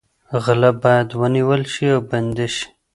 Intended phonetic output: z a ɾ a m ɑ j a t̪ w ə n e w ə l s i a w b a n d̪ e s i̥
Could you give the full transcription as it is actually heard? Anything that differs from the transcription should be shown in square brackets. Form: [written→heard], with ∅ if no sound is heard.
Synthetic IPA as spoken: [z→ɣ] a [ɾ→l] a [m→b] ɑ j a [t̪→d̪] w ə n [e→i] w ə l [s→ʃ] i a w b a n d̪ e [s→ʃ] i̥